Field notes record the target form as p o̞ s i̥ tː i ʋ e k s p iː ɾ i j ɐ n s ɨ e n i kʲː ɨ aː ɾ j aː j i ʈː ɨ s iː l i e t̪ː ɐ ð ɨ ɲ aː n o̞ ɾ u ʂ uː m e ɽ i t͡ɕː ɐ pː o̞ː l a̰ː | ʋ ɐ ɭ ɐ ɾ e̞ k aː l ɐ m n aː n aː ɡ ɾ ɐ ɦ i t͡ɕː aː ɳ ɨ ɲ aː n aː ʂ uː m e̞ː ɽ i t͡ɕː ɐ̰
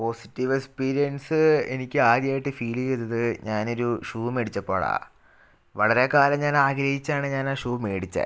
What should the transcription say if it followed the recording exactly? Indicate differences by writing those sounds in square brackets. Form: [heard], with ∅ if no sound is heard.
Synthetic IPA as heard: p o̞ s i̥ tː i ʋ e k s p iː ɾ i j ɐ n s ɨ e n i kʲː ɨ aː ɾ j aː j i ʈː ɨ [f] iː l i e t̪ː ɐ ð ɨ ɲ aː n o̞ ɾ u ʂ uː m e ɽ i t͡ɕː ɐ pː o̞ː [ɭ] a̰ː | ʋ ɐ ɭ ɐ ɾ e̞ k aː l ɐ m [ɲ] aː n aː ɡ ɾ ɐ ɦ i t͡ɕː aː ɳ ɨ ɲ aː n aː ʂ uː m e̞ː ɽ i t͡ɕː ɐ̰